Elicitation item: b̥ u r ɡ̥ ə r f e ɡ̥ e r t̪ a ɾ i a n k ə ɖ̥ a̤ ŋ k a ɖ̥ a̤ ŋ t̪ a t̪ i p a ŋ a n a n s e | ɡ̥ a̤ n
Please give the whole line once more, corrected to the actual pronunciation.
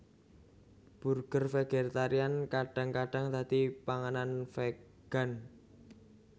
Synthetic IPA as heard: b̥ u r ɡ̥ ə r f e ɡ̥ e r t̪ a ɾ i a n k a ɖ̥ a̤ ŋ k a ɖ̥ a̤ ŋ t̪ a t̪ i p a ŋ a n a n f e | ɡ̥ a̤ n